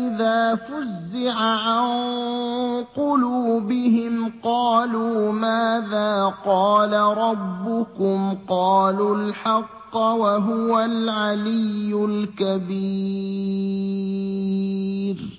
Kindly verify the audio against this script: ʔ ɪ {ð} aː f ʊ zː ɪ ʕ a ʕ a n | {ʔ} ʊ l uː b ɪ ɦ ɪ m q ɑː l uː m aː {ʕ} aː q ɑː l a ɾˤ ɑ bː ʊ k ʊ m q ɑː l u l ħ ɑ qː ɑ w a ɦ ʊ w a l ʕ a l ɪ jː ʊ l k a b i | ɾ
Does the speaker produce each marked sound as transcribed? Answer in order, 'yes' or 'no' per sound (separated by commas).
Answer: yes, no, no